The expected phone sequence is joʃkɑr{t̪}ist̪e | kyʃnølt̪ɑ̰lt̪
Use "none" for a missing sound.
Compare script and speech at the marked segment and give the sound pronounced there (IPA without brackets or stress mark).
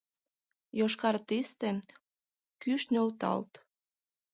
t̪